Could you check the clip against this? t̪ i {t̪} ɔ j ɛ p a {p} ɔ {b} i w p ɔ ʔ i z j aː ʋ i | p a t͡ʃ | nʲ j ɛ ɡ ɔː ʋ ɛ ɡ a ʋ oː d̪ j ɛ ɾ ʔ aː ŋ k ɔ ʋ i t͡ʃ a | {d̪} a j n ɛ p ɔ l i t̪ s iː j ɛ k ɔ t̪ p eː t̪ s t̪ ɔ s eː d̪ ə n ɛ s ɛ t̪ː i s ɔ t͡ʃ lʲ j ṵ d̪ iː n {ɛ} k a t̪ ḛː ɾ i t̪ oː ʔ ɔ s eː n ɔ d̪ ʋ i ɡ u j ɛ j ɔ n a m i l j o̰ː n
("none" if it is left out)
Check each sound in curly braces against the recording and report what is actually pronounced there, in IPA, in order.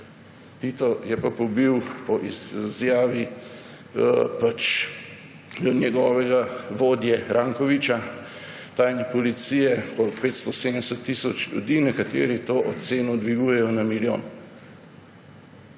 t̪, p, b, t̪, ɛ

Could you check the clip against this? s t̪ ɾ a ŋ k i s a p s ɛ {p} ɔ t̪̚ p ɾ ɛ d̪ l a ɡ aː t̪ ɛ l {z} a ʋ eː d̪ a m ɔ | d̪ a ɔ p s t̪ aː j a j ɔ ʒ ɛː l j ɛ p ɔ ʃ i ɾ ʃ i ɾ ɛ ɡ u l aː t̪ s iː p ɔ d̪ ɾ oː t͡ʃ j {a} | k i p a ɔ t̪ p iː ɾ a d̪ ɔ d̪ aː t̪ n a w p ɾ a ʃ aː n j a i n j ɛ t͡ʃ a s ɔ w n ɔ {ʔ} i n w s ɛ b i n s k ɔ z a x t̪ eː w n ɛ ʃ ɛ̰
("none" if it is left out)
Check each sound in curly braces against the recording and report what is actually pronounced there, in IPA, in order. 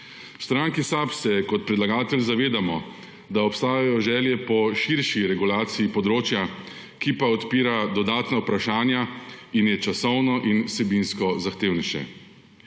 k, z, a, ʔ

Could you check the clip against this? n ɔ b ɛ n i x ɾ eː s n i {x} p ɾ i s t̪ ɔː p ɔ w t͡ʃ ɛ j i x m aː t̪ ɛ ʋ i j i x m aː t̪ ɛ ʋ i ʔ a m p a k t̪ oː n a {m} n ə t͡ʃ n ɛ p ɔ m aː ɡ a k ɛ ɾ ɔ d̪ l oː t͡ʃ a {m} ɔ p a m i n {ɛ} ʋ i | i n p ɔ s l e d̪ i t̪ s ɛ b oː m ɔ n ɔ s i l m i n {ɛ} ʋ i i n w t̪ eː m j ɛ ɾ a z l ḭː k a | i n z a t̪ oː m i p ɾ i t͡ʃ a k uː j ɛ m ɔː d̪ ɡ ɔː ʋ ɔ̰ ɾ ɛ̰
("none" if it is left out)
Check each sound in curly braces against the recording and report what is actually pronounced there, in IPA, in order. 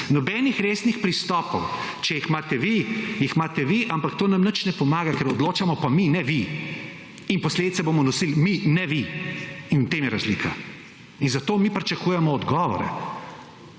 x, m, m, ɛ, ɛ

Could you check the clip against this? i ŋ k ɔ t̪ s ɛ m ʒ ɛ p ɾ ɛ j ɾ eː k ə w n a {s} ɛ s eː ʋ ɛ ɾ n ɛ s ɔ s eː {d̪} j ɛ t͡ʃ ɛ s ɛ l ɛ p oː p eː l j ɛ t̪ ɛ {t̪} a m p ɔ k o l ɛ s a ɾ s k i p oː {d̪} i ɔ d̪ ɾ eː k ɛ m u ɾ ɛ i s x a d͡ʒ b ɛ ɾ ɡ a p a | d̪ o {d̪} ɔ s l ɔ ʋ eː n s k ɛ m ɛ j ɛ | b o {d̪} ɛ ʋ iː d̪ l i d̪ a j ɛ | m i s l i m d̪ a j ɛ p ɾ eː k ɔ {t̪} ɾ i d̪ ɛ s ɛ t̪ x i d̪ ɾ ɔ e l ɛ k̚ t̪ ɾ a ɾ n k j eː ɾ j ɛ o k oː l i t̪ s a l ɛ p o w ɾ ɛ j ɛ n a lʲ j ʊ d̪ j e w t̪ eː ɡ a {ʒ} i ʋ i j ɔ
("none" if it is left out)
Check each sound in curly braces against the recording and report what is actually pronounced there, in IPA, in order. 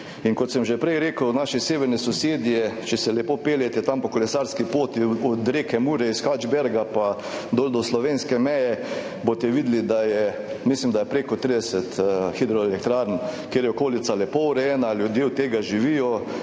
ʃ, d̪, t̪, t̪, d̪, t̪, t̪, ʒ

